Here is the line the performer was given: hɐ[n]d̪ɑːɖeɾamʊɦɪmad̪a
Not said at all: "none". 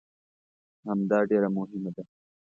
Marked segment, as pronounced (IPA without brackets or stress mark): m